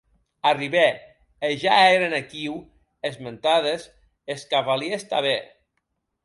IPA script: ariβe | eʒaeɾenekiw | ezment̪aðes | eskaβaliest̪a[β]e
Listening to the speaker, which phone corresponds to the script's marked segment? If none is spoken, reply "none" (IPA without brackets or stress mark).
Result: β